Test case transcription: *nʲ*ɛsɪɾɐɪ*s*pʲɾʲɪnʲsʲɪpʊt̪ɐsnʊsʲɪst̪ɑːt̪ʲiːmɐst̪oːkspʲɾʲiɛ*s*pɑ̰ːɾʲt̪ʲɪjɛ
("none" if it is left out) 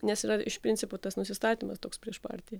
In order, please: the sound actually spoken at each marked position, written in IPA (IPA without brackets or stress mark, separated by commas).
nʲ, ʃ, ʃ